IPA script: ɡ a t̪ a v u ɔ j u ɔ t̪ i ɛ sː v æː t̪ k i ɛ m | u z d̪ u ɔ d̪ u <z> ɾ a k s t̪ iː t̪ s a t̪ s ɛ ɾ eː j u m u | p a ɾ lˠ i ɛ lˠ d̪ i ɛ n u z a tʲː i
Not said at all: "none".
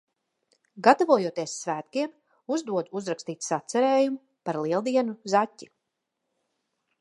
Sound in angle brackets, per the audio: z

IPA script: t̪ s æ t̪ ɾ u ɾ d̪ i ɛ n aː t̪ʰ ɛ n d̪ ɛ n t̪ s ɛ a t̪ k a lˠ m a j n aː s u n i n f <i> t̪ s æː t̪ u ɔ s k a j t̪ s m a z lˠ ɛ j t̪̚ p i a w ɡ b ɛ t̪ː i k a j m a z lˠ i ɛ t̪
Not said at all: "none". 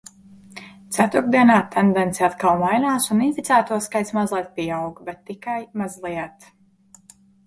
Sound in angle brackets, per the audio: i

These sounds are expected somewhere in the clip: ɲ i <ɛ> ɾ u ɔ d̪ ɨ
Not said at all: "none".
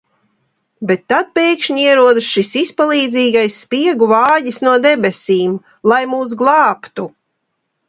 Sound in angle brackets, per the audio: ɛ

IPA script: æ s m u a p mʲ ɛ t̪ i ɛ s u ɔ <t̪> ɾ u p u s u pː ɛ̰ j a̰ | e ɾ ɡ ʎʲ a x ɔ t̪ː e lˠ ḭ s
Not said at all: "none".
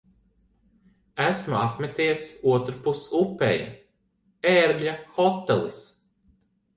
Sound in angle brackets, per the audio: t̪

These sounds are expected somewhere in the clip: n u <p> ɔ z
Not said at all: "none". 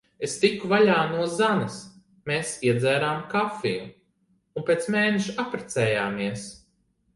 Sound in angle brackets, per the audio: none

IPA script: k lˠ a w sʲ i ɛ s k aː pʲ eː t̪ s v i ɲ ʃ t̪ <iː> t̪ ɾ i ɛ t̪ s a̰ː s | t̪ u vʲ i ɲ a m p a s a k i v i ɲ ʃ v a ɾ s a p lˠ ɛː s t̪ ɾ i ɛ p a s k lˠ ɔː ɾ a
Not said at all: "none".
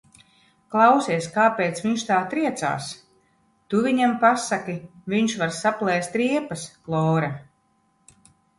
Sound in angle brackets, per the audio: aː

